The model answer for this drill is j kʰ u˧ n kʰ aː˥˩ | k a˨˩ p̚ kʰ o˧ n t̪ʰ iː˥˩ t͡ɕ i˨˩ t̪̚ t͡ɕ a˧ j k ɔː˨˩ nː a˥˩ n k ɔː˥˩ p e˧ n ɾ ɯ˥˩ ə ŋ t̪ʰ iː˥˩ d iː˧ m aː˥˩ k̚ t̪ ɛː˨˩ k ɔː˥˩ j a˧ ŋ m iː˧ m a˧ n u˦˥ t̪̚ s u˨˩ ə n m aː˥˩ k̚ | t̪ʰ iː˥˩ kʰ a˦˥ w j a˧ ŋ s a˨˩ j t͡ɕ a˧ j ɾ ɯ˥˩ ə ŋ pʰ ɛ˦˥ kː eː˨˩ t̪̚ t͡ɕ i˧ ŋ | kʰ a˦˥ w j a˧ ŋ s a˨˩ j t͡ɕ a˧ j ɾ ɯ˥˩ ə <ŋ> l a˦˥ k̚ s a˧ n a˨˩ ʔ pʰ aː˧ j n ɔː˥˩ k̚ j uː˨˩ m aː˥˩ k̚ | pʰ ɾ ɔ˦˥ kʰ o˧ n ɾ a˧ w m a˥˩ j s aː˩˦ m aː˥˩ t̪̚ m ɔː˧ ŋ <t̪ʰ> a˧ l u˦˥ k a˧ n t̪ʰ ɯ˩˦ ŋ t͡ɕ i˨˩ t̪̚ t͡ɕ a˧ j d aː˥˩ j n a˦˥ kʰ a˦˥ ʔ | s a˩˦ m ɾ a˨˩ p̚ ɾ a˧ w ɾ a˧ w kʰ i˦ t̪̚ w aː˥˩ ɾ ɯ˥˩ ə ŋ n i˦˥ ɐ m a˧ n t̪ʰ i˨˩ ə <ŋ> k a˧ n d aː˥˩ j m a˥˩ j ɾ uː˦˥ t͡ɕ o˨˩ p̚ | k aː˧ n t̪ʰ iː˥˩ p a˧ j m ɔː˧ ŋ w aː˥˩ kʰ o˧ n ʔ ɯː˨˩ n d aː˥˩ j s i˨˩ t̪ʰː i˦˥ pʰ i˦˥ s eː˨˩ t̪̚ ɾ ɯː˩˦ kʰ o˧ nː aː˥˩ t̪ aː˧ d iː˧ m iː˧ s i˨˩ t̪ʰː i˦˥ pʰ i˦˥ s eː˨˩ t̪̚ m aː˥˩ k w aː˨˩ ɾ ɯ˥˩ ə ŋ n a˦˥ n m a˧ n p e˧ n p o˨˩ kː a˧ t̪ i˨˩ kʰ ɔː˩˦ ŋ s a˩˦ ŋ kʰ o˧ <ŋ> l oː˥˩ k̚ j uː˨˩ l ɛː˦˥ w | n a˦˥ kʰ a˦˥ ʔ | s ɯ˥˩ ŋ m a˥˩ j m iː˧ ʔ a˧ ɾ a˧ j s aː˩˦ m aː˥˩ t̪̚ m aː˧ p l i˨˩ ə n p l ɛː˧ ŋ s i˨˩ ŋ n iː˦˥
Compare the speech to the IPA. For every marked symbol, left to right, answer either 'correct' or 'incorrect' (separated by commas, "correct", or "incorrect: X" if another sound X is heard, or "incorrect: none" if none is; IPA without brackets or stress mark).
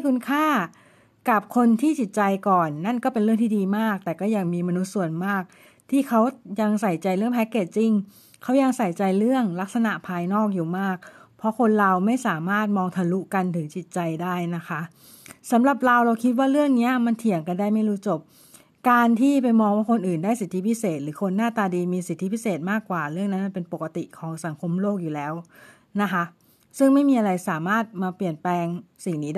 correct, correct, correct, incorrect: m